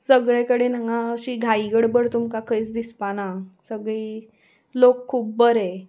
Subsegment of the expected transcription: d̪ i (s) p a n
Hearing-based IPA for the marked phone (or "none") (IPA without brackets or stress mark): s